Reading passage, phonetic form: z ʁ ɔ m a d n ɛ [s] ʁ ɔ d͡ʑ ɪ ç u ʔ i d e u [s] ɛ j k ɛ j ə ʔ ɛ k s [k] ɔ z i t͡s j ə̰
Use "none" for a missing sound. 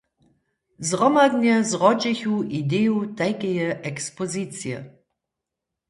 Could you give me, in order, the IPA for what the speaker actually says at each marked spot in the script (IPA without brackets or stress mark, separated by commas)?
z, t, p